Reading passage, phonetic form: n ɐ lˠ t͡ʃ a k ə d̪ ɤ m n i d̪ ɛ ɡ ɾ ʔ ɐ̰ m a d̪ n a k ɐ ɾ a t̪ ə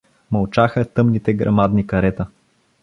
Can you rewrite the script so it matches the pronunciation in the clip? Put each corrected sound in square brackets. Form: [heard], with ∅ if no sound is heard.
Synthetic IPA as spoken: [m] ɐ lˠ t͡ʃ a [x] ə [t̪] ɤ m n i [t̪] ɛ ɡ ɾ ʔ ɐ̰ m a d̪ n [i] k ɐ ɾ [ɛ] t̪ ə